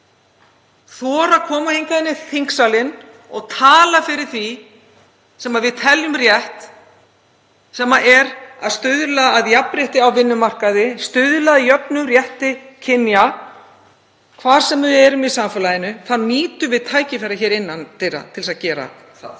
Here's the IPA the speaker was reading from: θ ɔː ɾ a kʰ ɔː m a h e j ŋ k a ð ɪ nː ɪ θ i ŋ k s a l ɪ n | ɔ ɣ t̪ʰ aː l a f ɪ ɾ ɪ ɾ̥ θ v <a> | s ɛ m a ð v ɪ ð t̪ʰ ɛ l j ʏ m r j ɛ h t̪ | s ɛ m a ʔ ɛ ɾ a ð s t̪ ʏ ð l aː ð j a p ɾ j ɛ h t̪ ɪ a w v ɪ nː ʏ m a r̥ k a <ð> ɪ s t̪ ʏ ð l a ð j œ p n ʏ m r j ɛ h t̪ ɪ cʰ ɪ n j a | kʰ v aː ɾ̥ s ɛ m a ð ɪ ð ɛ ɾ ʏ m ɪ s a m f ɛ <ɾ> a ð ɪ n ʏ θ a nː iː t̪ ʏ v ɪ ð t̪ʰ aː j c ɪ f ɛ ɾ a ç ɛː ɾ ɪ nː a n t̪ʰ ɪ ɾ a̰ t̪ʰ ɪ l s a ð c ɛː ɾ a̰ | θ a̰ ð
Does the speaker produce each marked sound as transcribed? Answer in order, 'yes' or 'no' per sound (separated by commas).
no, yes, no